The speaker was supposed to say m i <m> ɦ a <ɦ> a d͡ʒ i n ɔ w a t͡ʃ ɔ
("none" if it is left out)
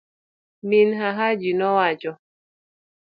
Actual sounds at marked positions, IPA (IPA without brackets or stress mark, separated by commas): n, ɦ